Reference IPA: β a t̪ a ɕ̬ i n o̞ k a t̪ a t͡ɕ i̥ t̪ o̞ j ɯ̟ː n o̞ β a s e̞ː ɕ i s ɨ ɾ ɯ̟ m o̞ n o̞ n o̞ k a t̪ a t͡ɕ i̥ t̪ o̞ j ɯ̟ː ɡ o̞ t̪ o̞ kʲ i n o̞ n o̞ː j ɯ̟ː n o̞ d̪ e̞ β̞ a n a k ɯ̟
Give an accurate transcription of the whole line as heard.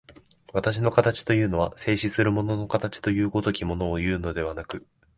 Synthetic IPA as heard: β a t̪ a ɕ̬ i n o̞ k a t̪ a t͡ɕ i̥ t̪ o̞ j ɯ̟ː n o̞ β a s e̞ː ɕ i s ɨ ɾ ɯ̟ m o̞ n o̞ n o̞ k a t̪ a t͡ɕ i̥ t̪ o̞ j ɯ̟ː ɡ o̞ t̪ o̞ kʲ i m o̞ n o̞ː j ɯ̟ː n o̞ d̪ e̞ β̞ a n a k ɯ̟